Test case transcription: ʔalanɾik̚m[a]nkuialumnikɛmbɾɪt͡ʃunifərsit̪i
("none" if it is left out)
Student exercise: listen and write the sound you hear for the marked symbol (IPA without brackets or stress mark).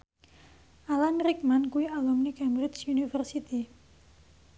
a